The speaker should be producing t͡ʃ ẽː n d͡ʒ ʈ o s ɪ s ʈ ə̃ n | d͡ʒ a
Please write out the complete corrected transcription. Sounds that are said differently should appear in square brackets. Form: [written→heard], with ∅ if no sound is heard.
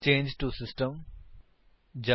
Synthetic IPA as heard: t͡ʃ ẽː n d͡ʒ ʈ [o→u] s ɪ s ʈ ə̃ [n→m] | d͡ʒ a